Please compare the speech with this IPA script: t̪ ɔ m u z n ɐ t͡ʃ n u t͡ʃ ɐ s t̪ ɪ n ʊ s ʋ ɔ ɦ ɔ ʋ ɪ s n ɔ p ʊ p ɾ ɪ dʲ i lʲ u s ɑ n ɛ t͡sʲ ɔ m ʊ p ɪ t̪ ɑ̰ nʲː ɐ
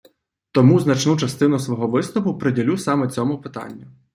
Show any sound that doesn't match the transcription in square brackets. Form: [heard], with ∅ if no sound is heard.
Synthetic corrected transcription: t̪ ɔ m u z n ɐ t͡ʃ n u t͡ʃ ɐ s t̪ ɪ n ʊ s ʋ ɔ ɦ ɔ ʋ ɪ s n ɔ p ʊ p ɾ ɪ dʲ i lʲ u s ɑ [m] ɛ t͡sʲ ɔ m ʊ p ɪ t̪ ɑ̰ nʲː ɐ